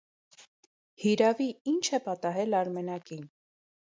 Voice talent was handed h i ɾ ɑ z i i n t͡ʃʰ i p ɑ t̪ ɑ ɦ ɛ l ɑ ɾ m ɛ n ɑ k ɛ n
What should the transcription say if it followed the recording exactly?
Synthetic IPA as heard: h i ɾ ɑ v i i n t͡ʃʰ ɛ p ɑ t̪ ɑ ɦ ɛ l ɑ ɾ m ɛ n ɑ k i n